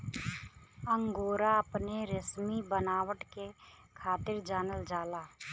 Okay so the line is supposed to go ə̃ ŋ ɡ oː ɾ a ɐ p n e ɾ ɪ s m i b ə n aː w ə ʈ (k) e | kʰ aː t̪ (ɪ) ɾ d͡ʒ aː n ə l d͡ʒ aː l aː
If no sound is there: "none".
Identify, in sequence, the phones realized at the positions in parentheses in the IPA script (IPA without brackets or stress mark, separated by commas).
k, ɪ